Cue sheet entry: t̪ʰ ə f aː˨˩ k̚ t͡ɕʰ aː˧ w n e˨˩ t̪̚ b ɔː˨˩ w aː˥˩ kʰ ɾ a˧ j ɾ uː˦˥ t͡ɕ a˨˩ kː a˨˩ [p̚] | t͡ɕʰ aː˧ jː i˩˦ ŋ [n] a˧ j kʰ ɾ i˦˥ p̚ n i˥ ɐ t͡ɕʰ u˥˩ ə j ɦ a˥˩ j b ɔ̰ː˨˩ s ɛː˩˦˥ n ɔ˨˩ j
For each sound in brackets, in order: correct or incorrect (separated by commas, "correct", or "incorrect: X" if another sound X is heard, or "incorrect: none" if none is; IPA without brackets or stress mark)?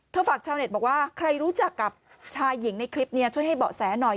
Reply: correct, correct